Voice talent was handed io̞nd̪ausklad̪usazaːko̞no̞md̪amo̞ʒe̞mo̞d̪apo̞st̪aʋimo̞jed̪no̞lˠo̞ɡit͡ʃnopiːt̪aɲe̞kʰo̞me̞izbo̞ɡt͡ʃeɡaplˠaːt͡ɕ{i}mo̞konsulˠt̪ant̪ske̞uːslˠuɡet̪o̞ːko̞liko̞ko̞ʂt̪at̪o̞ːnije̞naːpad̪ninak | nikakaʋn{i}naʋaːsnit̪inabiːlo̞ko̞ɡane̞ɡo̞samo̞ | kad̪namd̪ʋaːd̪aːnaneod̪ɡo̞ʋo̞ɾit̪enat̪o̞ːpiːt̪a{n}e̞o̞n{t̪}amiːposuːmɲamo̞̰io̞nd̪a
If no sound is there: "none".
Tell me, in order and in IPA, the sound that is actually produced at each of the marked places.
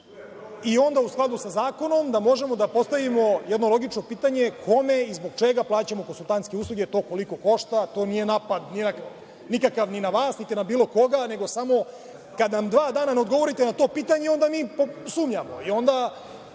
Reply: a, i, ɲ, d̪

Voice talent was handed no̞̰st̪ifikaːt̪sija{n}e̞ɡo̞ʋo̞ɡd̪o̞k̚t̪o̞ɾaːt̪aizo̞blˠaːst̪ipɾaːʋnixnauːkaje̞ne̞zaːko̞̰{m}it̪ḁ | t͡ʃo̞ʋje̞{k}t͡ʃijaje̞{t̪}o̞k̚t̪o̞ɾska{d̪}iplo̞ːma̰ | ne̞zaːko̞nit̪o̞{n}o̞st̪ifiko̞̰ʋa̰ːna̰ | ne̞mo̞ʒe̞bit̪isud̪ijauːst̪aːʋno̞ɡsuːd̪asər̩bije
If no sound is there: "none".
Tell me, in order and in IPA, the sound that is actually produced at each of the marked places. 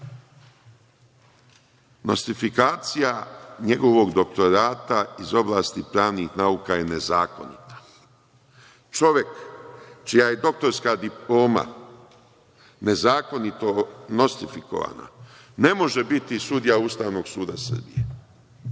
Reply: ɲ, n, k, d̪, d̪, n

